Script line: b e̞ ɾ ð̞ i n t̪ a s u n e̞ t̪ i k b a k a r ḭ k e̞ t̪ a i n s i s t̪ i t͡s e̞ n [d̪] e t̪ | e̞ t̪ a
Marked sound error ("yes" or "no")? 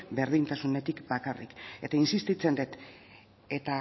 no